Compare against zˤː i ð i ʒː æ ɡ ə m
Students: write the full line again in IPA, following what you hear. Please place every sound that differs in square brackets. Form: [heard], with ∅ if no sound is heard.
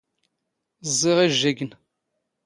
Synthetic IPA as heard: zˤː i [ʁ] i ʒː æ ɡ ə [n]